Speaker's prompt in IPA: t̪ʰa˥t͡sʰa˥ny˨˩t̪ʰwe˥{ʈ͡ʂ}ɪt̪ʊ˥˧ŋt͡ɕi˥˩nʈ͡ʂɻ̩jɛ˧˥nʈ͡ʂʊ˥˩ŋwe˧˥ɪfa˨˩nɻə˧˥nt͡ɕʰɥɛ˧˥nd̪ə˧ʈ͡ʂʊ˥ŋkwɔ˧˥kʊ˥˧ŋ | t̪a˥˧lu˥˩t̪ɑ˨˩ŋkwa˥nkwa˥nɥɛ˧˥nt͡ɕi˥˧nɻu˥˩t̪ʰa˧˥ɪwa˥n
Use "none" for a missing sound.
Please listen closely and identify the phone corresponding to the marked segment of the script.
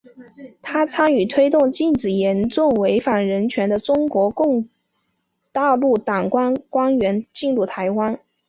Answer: none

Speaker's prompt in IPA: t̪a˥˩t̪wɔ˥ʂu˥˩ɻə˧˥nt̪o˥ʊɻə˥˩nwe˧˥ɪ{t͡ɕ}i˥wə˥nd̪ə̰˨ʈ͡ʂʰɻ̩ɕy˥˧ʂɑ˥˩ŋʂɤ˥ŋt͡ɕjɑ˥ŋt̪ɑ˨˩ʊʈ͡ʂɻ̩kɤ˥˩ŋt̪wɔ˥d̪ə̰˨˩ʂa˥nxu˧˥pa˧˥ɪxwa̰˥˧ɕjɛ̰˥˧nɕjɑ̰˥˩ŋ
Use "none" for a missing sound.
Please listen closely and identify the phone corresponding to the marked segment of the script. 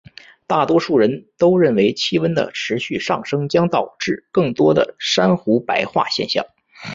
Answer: t͡ɕʰ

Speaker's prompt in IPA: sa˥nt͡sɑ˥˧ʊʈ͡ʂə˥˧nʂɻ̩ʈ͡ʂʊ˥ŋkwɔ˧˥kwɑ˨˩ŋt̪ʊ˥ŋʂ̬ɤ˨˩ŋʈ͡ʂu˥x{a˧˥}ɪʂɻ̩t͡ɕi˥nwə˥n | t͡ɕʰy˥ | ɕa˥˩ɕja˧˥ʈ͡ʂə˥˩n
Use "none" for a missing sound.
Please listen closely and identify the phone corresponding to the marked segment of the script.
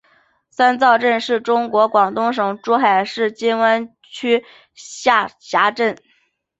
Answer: a˨˩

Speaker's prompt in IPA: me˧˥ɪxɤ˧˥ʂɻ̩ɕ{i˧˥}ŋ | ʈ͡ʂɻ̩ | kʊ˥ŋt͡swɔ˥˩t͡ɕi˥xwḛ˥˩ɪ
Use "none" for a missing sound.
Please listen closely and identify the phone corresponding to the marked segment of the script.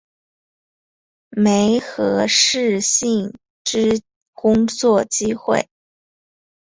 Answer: i˥˩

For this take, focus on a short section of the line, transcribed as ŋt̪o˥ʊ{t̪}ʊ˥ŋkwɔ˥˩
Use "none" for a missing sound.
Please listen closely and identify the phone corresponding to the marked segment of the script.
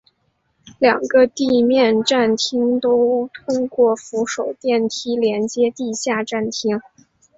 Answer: t̪ʰ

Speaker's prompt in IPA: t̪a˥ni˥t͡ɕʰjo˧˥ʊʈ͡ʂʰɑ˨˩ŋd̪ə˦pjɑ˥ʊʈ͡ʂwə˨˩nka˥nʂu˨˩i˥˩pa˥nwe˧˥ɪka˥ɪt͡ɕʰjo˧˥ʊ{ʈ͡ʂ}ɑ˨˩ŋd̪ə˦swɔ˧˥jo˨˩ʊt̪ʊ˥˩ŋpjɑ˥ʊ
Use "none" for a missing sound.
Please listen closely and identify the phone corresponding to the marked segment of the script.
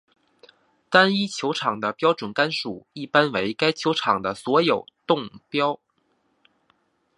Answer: ʈ͡ʂʰ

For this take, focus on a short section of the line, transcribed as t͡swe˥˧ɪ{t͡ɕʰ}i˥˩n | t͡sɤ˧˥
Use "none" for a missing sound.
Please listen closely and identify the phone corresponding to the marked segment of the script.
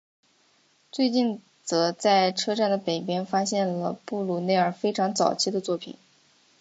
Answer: t͡ɕ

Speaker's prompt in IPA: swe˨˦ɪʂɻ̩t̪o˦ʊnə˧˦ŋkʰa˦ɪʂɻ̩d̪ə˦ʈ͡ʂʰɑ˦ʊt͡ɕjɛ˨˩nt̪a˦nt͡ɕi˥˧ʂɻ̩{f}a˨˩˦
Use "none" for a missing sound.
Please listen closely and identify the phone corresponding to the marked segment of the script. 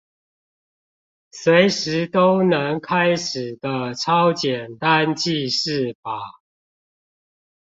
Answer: f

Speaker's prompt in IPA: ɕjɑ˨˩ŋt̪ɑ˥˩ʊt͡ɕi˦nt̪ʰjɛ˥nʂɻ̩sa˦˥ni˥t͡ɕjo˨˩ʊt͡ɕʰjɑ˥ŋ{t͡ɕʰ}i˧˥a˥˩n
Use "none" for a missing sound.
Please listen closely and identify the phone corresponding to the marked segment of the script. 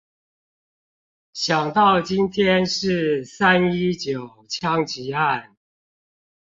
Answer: t͡ɕ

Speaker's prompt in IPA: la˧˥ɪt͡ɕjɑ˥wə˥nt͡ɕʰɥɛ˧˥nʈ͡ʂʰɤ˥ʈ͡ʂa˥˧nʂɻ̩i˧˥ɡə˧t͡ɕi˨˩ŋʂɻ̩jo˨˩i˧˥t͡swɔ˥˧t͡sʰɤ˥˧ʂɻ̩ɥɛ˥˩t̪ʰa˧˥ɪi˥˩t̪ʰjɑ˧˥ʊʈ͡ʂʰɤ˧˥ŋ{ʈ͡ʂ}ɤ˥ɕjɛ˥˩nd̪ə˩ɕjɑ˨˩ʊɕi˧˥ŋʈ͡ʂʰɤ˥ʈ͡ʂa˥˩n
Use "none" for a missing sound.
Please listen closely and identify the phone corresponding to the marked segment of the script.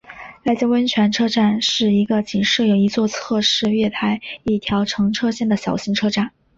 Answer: ʈ͡ʂʰ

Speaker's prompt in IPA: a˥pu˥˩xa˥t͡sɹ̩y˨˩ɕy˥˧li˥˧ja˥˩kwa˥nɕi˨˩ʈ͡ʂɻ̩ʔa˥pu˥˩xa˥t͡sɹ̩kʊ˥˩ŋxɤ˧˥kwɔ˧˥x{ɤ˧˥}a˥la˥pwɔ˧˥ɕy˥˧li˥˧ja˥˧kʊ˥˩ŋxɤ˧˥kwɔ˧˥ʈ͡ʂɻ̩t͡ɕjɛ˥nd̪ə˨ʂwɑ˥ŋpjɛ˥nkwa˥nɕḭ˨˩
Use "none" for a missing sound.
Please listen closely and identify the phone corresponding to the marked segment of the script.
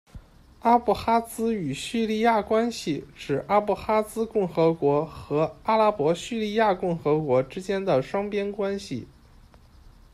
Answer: ɤ˧˥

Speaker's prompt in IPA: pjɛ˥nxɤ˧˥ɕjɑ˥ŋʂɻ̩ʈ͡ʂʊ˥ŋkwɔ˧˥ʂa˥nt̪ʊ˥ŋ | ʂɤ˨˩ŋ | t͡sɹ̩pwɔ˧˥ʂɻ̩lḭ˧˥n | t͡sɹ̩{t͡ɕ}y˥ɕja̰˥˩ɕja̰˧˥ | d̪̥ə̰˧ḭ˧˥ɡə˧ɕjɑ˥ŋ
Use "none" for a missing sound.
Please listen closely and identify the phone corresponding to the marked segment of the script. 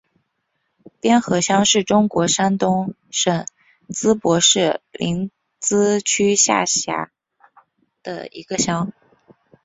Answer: t͡ɕʰ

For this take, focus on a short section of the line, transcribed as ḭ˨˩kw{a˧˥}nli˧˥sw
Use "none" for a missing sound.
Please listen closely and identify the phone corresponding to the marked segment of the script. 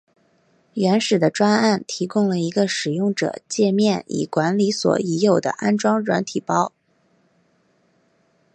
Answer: a˧˥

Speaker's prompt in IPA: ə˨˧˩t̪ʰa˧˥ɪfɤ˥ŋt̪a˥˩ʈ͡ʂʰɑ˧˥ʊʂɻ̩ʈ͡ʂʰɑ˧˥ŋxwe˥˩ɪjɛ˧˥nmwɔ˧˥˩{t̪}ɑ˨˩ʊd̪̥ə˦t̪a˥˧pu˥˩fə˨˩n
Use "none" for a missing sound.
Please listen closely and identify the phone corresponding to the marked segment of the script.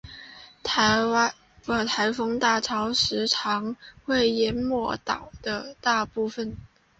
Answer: t̪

